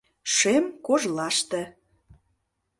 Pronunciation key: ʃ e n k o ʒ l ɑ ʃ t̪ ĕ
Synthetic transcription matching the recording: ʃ e m k o ʒ l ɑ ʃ t̪ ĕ